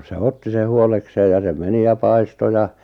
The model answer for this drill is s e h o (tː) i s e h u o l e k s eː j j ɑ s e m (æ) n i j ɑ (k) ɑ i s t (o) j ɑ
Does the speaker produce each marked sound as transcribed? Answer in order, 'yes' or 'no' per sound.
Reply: yes, no, no, yes

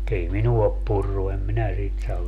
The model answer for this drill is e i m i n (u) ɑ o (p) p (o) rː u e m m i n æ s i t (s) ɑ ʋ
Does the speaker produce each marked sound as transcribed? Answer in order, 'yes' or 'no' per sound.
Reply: yes, yes, no, yes

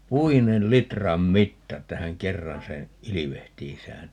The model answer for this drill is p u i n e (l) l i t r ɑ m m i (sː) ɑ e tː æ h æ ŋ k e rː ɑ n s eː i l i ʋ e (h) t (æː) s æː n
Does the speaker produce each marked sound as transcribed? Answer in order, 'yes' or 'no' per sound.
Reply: yes, no, yes, no

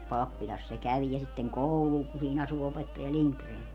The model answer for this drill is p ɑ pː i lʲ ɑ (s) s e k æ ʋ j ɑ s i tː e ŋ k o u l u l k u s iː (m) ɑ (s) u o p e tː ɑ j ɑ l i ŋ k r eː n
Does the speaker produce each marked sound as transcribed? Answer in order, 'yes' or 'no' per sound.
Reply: yes, no, yes

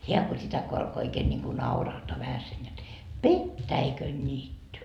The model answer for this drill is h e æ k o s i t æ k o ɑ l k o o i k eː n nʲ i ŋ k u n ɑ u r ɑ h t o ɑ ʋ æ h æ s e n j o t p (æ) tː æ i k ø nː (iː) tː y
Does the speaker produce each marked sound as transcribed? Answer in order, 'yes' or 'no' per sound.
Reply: no, yes

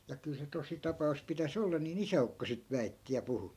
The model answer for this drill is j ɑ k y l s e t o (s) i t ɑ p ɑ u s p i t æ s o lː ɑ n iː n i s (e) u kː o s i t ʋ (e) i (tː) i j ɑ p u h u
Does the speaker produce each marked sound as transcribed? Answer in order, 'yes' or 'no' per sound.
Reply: yes, no, no, yes

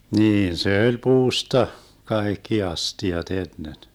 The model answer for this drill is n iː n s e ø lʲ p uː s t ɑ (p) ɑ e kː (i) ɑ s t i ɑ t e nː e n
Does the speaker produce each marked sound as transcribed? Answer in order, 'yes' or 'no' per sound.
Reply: no, yes

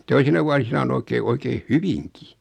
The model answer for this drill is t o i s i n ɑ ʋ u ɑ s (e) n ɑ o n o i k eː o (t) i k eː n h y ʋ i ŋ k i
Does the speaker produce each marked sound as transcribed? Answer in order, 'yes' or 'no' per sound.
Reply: no, no

